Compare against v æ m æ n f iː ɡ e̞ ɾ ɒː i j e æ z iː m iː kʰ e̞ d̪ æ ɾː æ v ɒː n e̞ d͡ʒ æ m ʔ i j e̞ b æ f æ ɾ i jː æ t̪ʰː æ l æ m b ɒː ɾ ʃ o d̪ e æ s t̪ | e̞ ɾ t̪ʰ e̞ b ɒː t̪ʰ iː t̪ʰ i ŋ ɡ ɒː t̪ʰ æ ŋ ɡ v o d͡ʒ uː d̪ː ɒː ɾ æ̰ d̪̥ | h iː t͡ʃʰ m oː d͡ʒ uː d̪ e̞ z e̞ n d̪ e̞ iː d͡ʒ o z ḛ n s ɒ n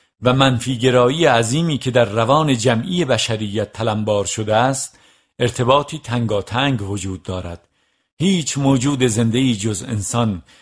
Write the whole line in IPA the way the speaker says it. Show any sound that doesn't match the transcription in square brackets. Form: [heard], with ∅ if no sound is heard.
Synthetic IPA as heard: v æ m æ n f iː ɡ e̞ ɾ ɒː i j e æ z iː m iː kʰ e̞ d̪ æ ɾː æ v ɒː n e̞ d͡ʒ æ m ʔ i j e̞ b æ [ʃ] æ ɾ i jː æ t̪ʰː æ l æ m b ɒː ɾ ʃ o d̪ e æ s t̪ | e̞ ɾ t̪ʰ e̞ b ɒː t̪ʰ iː t̪ʰ [æ] ŋ ɡ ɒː t̪ʰ æ ŋ ɡ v o d͡ʒ uː d̪ː ɒː ɾ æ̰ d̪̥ | h iː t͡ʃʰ m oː d͡ʒ uː d̪ e̞ z e̞ n d̪ e̞ iː d͡ʒ o z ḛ n s ɒ n